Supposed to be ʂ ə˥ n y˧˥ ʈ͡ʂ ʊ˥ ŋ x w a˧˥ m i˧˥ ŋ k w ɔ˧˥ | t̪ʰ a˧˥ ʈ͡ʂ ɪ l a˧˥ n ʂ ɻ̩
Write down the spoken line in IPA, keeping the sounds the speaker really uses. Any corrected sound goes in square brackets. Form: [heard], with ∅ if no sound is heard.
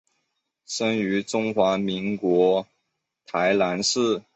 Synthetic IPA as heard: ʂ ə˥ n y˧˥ ʈ͡ʂ ʊ˥ ŋ x w a˧˥ m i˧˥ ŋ k w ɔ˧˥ | t̪ʰ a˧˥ [∅] ɪ l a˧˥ n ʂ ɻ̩